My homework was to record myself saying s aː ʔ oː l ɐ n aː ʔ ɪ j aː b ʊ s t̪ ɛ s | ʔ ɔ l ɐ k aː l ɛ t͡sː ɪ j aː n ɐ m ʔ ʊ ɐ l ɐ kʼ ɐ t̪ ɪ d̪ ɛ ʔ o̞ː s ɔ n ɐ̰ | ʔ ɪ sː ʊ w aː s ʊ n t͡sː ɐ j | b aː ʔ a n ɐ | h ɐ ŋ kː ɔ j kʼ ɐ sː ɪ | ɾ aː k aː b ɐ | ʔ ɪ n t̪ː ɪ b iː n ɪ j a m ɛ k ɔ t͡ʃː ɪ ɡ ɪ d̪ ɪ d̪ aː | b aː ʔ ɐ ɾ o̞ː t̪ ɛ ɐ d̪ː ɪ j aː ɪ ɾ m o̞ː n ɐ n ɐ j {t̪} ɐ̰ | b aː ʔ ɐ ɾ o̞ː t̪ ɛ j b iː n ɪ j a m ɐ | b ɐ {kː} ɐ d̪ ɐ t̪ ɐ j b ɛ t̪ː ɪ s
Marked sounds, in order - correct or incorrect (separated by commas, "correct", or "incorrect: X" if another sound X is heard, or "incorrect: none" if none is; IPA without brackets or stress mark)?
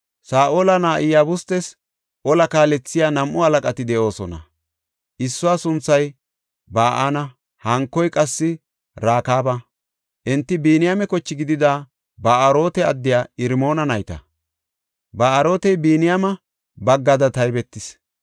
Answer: correct, incorrect: ɡː